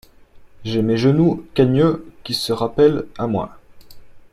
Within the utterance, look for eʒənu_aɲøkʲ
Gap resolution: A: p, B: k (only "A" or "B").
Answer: B